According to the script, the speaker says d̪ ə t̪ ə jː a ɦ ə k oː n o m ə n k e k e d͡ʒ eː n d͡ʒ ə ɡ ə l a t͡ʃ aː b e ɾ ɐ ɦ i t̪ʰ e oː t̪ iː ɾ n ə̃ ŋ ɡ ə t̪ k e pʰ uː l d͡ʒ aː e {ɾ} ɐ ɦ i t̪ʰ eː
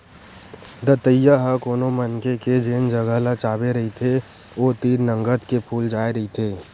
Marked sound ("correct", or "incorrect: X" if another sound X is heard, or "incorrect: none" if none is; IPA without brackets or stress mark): correct